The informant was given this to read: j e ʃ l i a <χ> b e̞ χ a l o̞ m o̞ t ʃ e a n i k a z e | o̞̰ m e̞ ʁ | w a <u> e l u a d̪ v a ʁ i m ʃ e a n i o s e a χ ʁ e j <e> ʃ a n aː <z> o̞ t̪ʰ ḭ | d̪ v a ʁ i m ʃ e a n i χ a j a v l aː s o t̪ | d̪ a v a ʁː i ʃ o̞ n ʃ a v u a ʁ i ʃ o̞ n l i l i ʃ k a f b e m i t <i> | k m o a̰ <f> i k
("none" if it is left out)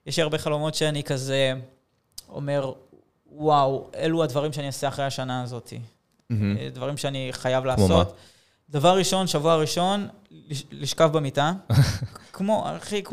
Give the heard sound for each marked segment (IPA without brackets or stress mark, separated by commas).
ʁ, w, a, z, a, χ